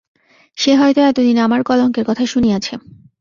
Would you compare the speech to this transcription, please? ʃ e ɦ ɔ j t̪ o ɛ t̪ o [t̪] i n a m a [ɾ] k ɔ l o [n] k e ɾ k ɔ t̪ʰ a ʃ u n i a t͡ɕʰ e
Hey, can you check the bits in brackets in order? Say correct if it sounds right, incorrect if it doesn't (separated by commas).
incorrect, correct, incorrect